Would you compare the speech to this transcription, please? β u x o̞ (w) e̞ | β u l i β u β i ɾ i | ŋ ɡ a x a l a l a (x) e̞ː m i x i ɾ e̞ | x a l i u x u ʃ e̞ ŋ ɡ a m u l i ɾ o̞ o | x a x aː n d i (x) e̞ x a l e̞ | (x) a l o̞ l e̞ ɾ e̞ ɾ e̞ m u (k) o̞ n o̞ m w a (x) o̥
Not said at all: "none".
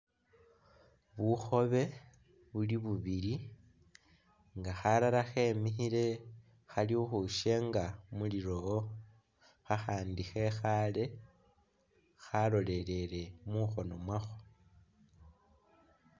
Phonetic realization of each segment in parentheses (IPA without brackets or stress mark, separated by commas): β, x, x, x, x, x